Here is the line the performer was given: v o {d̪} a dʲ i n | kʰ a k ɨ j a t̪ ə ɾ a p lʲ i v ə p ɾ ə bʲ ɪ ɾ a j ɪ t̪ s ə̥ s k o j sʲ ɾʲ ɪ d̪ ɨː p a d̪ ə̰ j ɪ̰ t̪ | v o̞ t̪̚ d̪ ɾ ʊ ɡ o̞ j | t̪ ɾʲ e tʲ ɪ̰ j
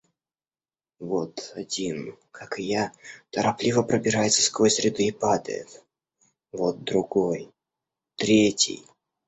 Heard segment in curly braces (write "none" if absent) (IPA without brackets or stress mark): t̪